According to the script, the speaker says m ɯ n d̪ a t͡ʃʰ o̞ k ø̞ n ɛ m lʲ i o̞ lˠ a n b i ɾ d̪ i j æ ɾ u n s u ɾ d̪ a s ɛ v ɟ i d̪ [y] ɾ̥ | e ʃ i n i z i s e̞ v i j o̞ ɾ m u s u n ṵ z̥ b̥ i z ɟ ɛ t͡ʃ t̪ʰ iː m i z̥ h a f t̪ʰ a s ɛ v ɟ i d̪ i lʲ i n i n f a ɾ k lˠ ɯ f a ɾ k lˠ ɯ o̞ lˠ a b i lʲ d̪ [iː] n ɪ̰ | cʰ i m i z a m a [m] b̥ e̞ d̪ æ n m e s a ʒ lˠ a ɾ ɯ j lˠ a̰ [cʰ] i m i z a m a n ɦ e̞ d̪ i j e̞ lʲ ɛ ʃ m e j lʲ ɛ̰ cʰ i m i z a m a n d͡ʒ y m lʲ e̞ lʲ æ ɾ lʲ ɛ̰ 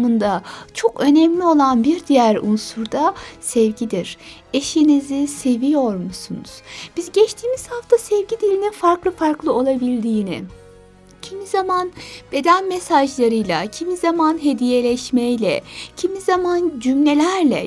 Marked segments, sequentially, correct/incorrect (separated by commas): incorrect, correct, incorrect, correct